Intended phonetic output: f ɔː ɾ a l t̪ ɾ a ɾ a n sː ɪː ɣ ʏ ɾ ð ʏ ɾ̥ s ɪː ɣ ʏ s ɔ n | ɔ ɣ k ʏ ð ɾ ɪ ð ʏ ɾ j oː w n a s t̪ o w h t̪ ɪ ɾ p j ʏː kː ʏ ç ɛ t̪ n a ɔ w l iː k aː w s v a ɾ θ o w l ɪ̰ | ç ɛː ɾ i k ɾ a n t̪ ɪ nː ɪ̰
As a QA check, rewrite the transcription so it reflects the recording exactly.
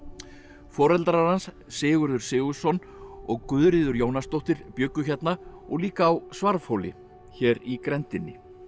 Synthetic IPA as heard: f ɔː ɾ ɛ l t̪ ɾ a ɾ a n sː ɪː ɣ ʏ ɾ ð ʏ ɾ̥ s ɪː ɣ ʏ s ɔ n | ɔ ɣ k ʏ ð ɾ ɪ ð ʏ ɾ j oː w n a s t̪ o w h t̪ ɪ ɾ p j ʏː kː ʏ ç ɛ t̪ n a ɔ ɣ l iː k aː w s v a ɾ f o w l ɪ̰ | ç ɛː ɾ i k ɾ ɛ n t̪ ɪ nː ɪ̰